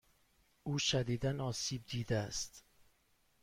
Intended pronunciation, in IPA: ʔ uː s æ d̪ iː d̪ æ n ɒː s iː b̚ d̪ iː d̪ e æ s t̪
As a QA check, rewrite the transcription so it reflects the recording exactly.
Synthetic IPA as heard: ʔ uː ʃ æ d̪ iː d̪ æ n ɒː s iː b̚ d̪ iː d̪ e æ s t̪